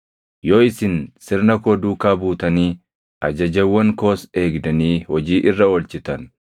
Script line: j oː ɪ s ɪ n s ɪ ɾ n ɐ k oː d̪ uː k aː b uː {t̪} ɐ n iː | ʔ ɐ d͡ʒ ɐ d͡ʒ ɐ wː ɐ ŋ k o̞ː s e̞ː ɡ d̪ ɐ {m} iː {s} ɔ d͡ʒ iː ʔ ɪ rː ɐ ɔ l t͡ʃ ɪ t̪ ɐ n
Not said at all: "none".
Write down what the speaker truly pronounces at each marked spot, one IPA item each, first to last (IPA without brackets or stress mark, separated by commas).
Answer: t̪, n, h